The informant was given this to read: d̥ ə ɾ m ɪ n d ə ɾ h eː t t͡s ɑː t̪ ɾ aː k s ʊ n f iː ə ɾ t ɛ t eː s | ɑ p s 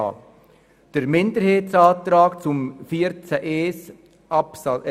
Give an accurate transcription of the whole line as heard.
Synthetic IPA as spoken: d̥ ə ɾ m ɪ n d ə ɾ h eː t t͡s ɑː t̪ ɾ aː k t͡s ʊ m f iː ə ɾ t͡s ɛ ʔ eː s | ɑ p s

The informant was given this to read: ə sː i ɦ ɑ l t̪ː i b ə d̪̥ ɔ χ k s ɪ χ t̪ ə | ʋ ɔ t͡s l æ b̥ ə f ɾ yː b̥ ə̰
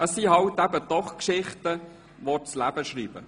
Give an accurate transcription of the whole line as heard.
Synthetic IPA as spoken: ə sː i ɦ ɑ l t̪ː æ b ə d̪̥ ɔ χ k ʃ ɪ χ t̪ ə | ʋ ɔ t͡s l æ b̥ ə ʃ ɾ iː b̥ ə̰

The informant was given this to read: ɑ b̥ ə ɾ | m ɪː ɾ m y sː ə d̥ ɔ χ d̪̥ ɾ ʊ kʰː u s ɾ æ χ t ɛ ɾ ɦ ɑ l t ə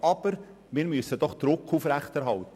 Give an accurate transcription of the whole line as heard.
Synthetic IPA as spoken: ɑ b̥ ə ɾ | m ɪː ɾ m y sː ə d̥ ɔ χ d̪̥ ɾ ʊ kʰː u f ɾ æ χ t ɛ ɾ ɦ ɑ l t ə

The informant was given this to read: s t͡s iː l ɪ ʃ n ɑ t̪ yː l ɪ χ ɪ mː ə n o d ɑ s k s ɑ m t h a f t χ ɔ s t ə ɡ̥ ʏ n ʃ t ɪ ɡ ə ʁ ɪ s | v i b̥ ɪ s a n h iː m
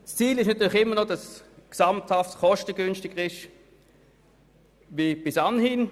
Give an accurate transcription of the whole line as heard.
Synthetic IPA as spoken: s t͡s iː l ɪ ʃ n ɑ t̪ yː l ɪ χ ɪ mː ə n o d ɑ s k s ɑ m t h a f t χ ɔ ʃ t ə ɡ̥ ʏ n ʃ t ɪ ɡ ə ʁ ɪ ʃ | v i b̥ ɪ s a n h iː n

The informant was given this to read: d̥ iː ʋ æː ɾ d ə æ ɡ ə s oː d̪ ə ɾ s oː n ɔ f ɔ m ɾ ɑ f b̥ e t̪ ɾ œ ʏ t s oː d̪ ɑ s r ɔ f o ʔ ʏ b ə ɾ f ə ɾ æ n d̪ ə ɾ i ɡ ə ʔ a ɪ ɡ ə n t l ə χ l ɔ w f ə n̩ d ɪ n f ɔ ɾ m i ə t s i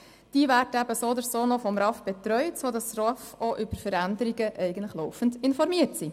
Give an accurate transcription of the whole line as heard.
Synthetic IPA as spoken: d̥ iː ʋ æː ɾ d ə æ b ə s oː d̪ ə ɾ s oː n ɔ f ɔ m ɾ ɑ f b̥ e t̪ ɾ œ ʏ t s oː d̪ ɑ s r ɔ f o ʔ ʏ b ə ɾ f ə ɾ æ n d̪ ə ɾ i ɡ ə ʔ ɛ ɪ ɡ ə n t l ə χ l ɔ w f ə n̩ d ɪ n f ɔ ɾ m i ə t s i

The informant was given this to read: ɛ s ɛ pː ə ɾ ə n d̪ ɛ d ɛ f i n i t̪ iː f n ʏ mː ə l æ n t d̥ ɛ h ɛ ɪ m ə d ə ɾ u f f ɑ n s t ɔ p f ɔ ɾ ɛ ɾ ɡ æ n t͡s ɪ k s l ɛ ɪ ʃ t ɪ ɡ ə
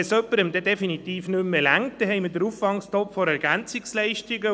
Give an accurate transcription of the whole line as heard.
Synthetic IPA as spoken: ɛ s œ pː ə ɾ ə m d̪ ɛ d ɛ f i n i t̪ iː f n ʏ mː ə l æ ŋ t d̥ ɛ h ɛ ɪ m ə d ə ɾ u f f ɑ ŋ s t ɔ p f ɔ ɾ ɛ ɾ ɡ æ n t͡s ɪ k s l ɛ ɪ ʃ t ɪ ɡ ə

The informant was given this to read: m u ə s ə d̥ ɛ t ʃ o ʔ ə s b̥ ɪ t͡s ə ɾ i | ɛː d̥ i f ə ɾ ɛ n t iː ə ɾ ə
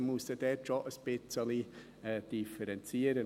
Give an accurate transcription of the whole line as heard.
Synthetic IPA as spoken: m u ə s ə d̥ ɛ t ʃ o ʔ ə s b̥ ɪ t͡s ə l i | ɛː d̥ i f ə ɾ ɛ n t͡s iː ə ɾ ə

